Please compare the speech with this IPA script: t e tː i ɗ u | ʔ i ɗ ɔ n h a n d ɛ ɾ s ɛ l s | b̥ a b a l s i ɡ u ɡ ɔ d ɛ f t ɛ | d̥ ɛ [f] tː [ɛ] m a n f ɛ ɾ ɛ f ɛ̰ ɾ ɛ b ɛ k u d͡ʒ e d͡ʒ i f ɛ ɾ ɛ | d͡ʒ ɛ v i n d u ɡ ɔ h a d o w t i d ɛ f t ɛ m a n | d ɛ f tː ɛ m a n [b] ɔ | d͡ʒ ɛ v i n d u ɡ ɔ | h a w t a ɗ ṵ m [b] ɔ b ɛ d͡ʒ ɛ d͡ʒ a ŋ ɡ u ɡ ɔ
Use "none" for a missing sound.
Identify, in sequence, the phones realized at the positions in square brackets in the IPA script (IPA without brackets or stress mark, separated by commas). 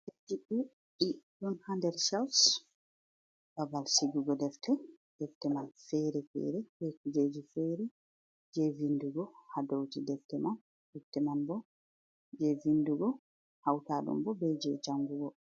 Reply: f, ɛ, b, b